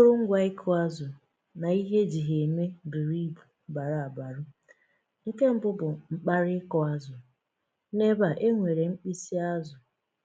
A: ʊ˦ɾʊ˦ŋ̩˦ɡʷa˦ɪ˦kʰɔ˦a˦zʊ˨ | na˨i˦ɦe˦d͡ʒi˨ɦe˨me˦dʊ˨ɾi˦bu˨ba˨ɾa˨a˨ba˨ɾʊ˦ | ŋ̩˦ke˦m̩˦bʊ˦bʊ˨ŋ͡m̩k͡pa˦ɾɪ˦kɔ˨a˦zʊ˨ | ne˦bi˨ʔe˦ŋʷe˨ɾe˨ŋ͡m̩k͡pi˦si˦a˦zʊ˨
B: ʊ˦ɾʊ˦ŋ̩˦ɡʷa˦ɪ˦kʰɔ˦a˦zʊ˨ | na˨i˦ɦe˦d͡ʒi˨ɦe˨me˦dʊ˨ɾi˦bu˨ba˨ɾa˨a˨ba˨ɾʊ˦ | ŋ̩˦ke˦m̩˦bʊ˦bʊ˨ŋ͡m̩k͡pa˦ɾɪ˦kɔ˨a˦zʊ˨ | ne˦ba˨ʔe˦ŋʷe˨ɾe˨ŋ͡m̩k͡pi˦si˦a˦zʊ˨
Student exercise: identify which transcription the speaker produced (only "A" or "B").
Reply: B